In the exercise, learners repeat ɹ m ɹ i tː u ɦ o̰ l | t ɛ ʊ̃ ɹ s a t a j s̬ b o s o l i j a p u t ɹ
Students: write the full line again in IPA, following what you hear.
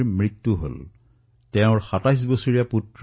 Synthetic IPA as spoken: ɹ m ɹ i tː u ɦ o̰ l | t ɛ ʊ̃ ɹ x a t a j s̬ b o s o ɹ i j a p u t ɹ